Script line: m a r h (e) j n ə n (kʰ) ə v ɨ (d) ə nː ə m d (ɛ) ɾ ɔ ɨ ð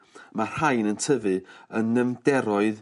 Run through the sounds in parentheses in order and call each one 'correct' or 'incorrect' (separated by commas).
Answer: incorrect, incorrect, incorrect, correct